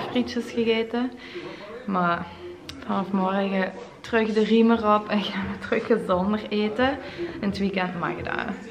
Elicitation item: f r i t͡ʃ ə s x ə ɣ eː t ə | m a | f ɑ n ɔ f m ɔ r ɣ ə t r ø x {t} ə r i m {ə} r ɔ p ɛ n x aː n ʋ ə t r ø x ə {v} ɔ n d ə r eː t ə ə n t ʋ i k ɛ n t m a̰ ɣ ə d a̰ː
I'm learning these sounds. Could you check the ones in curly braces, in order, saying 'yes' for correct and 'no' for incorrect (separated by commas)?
no, yes, no